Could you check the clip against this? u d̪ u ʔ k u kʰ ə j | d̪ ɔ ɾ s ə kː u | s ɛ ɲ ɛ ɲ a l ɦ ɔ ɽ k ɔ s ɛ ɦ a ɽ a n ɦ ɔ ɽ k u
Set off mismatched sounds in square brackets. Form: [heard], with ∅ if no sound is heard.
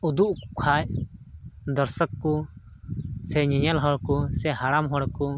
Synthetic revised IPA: u d̪ u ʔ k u kʰ [a] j | d̪ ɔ ɾ s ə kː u | s ɛ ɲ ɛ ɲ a l ɦ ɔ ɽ k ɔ s ɛ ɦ a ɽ a [m] ɦ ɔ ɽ k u